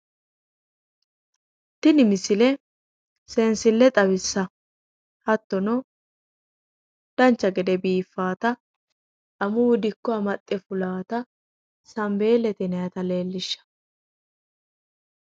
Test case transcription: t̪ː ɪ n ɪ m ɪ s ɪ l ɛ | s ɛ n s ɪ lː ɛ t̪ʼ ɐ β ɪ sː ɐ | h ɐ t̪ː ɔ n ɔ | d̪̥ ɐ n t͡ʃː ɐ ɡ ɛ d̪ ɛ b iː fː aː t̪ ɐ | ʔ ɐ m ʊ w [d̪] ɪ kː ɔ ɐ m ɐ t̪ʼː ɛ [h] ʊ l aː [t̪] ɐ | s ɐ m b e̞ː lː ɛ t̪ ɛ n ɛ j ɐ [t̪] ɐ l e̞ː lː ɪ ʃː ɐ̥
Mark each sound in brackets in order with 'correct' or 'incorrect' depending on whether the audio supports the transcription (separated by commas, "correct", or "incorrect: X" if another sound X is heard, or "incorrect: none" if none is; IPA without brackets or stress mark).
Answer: correct, incorrect: f, correct, correct